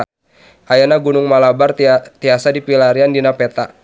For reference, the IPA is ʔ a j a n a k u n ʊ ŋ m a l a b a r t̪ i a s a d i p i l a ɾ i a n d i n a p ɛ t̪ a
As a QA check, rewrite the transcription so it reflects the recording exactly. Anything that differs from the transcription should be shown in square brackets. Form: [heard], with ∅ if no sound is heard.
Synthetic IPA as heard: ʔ a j a n a [ɡ] u n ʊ ŋ m a l a b a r t̪ i a s a d i p i l a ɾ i a n d i n a p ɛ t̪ a